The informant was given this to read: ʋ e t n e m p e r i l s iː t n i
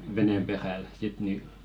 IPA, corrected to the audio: ʋ e n e m p e r æ l s i t n i